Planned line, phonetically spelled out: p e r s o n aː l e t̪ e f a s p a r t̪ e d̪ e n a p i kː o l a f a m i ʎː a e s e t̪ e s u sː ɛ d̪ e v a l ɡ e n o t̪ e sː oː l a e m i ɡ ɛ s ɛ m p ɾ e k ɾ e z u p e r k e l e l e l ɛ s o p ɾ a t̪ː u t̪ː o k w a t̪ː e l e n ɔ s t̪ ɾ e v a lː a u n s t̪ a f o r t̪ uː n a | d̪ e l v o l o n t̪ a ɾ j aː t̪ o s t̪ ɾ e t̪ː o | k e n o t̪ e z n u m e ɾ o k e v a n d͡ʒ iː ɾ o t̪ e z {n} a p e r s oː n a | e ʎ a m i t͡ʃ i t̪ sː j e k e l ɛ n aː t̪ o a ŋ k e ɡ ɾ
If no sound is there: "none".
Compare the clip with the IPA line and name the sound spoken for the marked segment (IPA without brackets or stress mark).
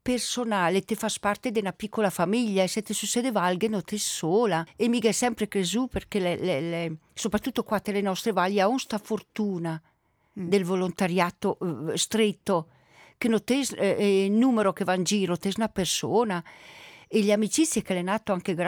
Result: n